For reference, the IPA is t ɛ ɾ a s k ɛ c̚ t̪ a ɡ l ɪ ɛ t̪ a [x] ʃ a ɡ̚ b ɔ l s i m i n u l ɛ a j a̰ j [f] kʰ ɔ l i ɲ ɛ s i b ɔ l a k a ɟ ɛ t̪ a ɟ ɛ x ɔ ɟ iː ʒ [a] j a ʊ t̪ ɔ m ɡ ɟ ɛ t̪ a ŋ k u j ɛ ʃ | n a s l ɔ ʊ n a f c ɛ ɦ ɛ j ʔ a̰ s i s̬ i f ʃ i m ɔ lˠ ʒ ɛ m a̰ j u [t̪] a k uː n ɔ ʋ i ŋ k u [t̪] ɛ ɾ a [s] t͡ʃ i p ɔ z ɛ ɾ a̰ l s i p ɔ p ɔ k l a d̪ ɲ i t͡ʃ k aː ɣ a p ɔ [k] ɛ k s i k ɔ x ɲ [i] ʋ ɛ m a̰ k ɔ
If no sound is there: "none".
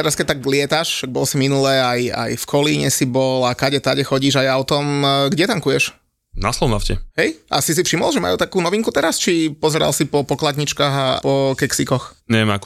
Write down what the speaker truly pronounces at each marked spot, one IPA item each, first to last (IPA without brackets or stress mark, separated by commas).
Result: ʃ, f, a, t̪, t̪, s, k, ɛ